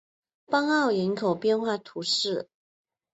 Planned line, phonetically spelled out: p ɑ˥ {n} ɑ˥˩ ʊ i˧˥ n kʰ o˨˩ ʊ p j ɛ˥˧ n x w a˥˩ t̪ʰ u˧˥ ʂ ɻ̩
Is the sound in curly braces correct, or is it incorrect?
incorrect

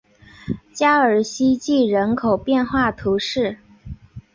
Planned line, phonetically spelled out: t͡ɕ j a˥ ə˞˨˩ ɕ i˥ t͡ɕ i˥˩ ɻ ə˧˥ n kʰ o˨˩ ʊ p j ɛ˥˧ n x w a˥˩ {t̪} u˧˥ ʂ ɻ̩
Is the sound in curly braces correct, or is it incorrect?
incorrect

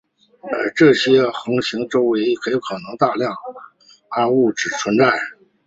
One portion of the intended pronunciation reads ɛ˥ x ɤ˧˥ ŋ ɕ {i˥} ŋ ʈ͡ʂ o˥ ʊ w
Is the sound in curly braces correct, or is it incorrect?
incorrect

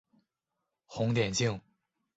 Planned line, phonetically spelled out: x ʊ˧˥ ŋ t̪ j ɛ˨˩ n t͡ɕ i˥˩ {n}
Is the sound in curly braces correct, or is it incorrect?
incorrect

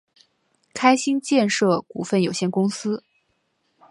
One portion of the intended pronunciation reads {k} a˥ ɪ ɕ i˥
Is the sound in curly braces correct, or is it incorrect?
incorrect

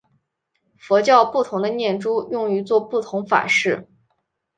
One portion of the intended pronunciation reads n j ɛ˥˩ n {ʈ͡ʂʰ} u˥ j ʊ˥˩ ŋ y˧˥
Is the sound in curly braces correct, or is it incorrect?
incorrect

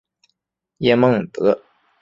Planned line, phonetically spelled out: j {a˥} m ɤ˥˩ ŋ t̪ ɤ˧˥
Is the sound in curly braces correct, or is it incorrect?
incorrect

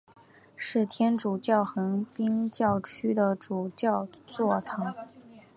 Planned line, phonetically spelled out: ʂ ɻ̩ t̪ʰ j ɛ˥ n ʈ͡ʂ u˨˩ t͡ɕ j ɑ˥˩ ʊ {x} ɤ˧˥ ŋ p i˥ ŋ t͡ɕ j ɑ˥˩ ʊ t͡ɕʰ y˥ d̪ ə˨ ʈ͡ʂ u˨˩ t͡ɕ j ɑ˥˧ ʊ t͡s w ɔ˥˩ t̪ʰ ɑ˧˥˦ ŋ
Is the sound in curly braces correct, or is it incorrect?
correct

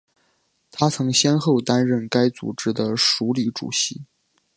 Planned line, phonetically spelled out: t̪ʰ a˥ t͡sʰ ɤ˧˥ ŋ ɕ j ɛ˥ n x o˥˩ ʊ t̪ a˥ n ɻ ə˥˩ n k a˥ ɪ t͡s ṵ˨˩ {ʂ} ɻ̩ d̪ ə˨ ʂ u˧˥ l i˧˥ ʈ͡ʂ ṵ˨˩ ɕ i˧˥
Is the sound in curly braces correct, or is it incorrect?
incorrect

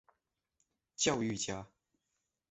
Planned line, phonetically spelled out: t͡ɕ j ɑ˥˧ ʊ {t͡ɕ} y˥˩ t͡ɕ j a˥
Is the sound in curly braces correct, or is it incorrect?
incorrect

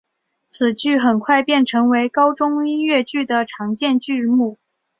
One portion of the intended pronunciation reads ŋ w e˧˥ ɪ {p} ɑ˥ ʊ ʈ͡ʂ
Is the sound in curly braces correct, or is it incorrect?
incorrect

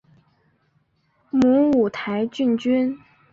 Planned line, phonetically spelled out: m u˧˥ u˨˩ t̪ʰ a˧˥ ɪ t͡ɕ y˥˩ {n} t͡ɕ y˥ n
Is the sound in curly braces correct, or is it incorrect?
correct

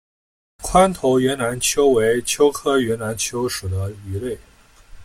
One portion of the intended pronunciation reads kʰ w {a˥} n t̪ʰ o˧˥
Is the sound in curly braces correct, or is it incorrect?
correct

